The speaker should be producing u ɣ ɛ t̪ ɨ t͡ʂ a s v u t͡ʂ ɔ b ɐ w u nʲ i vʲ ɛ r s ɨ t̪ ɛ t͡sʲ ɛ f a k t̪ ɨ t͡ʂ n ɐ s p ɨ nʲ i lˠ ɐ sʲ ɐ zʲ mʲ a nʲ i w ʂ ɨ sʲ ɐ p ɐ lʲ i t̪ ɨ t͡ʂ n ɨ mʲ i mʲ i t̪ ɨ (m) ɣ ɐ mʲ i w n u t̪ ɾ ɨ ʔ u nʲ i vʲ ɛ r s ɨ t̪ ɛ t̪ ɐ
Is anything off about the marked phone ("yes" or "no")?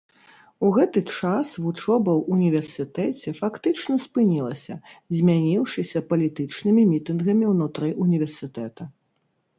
yes